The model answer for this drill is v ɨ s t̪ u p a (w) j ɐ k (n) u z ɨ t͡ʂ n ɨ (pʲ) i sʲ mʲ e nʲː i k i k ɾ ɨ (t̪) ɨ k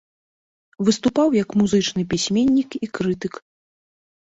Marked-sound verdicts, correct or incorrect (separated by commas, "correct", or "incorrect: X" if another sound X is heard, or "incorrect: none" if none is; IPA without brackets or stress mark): correct, incorrect: m, correct, correct